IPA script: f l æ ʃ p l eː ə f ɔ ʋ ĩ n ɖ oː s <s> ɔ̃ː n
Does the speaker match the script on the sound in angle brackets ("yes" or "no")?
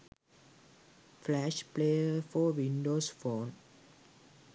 no